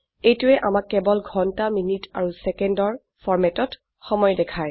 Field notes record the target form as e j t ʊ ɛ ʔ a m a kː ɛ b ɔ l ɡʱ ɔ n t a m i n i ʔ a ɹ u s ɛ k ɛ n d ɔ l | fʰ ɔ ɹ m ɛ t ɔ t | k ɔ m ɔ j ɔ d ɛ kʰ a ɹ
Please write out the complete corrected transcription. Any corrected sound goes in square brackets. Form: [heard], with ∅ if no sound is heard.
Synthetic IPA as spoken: e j t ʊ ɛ ʔ a m a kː ɛ b ɔ l ɡʱ ɔ n t a m i n i [t] a ɹ u s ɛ k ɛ n d ɔ [ɹ] | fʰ ɔ ɹ m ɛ t ɔ t | [x] ɔ m ɔ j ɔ d ɛ kʰ a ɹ